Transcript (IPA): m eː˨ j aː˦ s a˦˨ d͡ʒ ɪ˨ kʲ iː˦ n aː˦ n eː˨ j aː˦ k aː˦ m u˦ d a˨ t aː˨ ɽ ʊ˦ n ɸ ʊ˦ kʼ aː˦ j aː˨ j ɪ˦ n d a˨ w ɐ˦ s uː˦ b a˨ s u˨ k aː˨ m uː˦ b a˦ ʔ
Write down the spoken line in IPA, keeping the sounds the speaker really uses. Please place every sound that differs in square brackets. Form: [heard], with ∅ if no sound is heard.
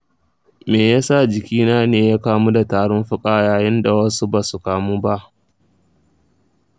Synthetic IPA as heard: m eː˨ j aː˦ s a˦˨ d͡ʒ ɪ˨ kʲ iː˦ n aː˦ n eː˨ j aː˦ k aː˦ m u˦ d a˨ t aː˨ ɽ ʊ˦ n ɸ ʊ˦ kʼ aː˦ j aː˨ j ɪ˦ n d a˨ w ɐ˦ s [u˦] b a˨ s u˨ k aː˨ m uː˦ b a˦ ʔ